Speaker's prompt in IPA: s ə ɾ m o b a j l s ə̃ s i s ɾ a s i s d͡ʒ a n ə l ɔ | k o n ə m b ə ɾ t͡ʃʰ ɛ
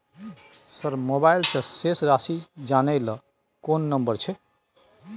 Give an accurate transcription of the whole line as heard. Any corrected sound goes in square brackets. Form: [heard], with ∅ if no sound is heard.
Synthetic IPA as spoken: s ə ɾ m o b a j l s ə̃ s [e] s ɾ a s i [∅] d͡ʒ a n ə l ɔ | k o [nː] ə m b ə ɾ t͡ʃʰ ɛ

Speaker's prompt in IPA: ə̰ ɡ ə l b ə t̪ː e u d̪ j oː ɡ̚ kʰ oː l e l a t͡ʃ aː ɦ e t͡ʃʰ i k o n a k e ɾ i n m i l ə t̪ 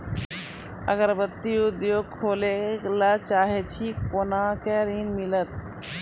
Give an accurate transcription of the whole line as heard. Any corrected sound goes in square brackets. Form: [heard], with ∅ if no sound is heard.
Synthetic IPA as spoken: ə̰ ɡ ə [ɾ] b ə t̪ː [i] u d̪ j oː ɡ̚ kʰ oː l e l a t͡ʃ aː ɦ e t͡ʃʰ i k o n a k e ɾ i n m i l ə t̪

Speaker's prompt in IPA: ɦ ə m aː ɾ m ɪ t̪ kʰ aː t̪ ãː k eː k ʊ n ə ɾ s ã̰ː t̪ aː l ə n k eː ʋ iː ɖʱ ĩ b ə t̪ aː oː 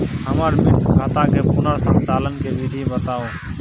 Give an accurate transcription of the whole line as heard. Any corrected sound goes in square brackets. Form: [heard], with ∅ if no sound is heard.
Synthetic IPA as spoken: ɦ ə m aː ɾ m ɪ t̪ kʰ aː t̪ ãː k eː [p] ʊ n ə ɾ s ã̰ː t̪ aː l ə n k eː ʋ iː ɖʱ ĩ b ə t̪ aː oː

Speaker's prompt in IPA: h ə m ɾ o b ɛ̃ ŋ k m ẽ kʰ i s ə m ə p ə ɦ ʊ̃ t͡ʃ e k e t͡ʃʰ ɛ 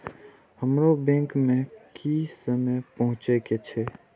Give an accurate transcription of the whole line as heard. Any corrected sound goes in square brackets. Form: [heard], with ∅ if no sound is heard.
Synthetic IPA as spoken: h ə m ɾ o b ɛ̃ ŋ k m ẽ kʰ i s ə m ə p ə ɦ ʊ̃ t͡ʃ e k e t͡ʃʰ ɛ

